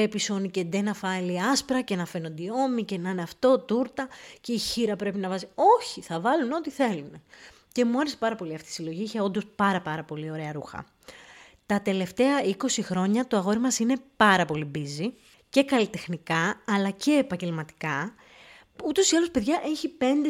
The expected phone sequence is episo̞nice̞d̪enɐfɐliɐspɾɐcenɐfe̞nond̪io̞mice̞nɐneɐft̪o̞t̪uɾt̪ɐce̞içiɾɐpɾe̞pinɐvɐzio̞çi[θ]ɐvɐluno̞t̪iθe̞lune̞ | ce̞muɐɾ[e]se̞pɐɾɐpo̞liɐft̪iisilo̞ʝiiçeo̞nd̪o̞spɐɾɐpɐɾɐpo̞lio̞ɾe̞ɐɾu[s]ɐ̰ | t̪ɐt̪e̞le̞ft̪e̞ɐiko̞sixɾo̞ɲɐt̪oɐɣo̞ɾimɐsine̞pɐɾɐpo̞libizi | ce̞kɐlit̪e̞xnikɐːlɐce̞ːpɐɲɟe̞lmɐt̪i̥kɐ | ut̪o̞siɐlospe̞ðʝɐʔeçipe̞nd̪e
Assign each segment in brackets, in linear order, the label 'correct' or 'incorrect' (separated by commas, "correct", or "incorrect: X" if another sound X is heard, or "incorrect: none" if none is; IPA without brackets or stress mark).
correct, correct, incorrect: x